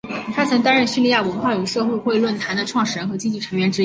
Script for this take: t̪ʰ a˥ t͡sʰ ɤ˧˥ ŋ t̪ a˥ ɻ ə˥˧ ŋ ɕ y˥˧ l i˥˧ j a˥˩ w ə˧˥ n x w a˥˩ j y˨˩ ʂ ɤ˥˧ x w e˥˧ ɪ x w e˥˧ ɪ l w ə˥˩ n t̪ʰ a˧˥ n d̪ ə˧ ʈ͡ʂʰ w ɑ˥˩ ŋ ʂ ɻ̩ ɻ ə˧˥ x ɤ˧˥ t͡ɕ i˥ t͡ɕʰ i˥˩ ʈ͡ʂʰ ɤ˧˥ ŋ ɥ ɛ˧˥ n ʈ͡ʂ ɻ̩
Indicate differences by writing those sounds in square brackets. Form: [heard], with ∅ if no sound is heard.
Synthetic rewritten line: t̪ʰ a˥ t͡sʰ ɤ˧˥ ŋ t̪ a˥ ɻ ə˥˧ [n] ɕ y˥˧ l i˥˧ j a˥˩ w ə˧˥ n x w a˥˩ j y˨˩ ʂ ɤ˥˧ x w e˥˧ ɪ x w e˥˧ ɪ l w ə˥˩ n t̪ʰ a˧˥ n d̪ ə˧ ʈ͡ʂʰ w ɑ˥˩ ŋ ʂ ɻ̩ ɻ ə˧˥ x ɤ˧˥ t͡ɕ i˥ [t͡ɕ] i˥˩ ʈ͡ʂʰ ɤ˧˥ ŋ ɥ ɛ˧˥ n ʈ͡ʂ ɻ̩